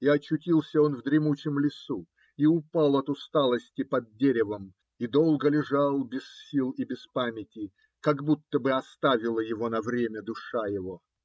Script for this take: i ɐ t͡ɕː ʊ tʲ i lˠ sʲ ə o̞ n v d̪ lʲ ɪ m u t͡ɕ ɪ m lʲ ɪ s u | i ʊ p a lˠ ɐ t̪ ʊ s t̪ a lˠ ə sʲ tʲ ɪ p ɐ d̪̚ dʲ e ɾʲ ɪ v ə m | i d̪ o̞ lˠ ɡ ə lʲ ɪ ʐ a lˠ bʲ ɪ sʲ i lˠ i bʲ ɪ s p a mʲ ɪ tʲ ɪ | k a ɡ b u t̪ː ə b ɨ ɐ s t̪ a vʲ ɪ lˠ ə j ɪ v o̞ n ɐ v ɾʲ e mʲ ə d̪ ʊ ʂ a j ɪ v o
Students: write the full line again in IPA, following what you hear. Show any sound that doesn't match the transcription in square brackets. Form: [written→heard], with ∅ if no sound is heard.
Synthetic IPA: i ɐ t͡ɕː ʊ tʲ i lˠ sʲ ə o̞ n v d̪ [lʲ→ɾʲ] ɪ m u t͡ɕ ɪ m lʲ ɪ s u | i ʊ p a lˠ ɐ t̪ ʊ s t̪ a lˠ ə sʲ tʲ ɪ p ɐ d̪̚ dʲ e ɾʲ ɪ v ə m | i d̪ o̞ lˠ ɡ ə lʲ ɪ ʐ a lˠ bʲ ɪ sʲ i lˠ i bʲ ɪ s p a mʲ ɪ tʲ ɪ | k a ɡ b u t̪ː ə b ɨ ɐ s t̪ a vʲ ɪ lˠ ə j ɪ v o̞ n ɐ v ɾʲ e mʲ ə d̪ ʊ ʂ a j ɪ v o